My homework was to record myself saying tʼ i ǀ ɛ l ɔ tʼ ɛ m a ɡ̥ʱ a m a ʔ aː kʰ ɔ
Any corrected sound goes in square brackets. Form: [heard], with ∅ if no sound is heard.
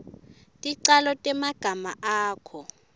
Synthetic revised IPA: tʼ i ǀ [a] l ɔ tʼ ɛ m a ɡ̥ʱ a m a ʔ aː kʰ ɔ

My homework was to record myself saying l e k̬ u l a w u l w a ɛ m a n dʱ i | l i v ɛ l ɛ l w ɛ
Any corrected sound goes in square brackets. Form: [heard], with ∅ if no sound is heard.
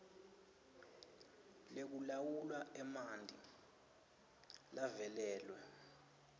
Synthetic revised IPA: l e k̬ u l a w u l w a ɛ m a n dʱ i | l [a] v ɛ l [ɛː] l w ɛ

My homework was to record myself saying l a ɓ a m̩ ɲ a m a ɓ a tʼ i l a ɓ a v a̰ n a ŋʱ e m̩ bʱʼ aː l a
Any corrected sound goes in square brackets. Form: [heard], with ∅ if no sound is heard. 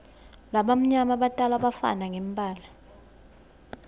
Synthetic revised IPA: l a ɓ a m̩ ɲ a m a ɓ a tʼ [a] l a ɓ a [f] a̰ n a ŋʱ e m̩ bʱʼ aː l a

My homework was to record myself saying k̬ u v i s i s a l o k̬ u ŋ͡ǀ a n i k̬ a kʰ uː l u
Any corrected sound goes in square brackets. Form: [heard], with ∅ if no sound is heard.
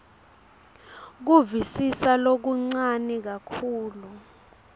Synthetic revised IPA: k̬ u v i s i s a l o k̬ u ŋ͡ǀ a n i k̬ a kʰ uː l u

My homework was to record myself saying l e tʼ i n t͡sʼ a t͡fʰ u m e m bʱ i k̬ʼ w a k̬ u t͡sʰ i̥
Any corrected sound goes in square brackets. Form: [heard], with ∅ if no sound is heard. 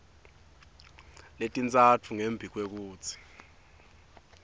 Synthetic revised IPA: l e tʼ i n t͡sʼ a t͡fʰ u [ŋ] e m bʱ i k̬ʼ w [e] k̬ [uː] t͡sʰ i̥

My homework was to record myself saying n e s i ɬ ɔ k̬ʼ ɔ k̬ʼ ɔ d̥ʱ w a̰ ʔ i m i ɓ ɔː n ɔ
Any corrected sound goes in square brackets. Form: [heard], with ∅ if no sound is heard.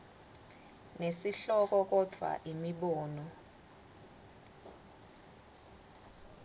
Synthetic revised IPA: n e s i ɬ ɔ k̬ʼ ɔ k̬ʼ ɔ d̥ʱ w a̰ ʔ i m i ɓ ɔː n ɔ

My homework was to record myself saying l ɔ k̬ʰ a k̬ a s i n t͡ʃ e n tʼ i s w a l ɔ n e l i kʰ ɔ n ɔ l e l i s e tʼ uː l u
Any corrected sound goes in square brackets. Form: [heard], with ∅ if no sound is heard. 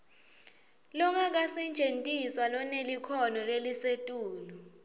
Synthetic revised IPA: l ɔ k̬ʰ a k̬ a s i n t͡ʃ e n tʼ i s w a l ɔ n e l i kʰ ɔ n ɔ l e l i s e tʼ uː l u

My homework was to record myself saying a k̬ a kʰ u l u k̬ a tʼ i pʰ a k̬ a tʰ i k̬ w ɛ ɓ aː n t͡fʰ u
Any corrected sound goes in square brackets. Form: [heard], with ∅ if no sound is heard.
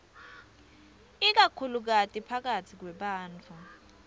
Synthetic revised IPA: [i] k̬ a kʰ u l u k̬ a tʼ i pʰ a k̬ a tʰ i k̬ w ɛ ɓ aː n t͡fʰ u

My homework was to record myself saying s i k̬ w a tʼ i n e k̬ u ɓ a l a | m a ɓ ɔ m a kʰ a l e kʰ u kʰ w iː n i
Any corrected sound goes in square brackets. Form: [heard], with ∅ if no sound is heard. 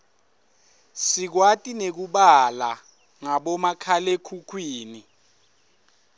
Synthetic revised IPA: s i k̬ w a tʼ i n e k̬ u ɓ a l a | [ŋ] a ɓ ɔ m a kʰ a l e kʰ u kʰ w iː n i

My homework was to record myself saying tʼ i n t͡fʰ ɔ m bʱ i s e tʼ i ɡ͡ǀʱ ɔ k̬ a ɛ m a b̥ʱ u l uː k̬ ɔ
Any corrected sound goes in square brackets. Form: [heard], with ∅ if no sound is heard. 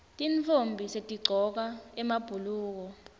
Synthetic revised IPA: tʼ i n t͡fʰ [o] m bʱ i s e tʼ i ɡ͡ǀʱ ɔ k̬ a ɛ m a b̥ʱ u l uː k̬ ɔ

